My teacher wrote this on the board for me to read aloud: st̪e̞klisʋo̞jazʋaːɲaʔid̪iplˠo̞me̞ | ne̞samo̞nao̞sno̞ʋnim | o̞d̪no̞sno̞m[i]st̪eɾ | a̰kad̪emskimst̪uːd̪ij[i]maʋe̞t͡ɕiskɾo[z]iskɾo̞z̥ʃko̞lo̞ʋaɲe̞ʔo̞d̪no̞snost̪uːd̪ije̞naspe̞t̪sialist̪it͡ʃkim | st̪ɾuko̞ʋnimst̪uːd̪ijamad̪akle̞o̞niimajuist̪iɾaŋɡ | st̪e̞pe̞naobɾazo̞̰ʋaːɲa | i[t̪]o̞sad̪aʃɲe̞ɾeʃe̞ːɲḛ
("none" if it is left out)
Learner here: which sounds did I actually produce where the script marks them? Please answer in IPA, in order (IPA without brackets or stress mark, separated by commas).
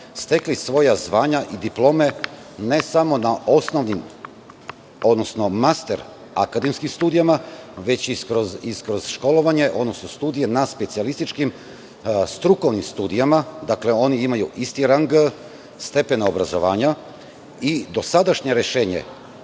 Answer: a, a, z, d̪